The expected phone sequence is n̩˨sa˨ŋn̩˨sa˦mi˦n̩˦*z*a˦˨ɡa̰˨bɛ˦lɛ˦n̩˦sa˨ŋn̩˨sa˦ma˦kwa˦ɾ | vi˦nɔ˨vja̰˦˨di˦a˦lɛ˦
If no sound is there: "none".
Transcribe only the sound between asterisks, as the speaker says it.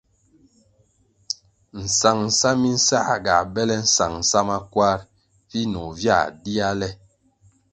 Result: s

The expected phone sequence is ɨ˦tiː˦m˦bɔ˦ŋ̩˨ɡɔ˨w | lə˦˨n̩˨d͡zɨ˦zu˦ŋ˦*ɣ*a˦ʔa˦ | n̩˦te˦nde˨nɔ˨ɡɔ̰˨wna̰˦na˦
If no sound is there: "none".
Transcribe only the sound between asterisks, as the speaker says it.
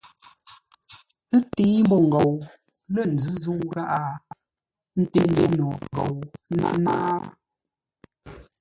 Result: ɣ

